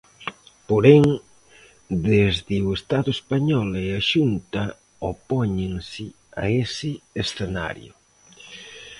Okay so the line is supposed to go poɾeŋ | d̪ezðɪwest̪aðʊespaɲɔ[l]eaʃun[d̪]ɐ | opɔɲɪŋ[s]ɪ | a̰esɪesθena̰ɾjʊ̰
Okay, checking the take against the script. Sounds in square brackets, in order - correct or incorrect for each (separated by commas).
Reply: correct, incorrect, correct